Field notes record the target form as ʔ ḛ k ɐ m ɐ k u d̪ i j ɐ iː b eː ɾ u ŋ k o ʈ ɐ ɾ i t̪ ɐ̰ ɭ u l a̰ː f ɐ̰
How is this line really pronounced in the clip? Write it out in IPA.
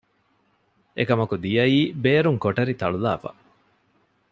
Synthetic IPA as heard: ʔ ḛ k ɐ m ɐ k u d̪ i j ɐ iː b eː ɾ u ŋ k o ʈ ɐ ɾ i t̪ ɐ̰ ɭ u l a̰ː f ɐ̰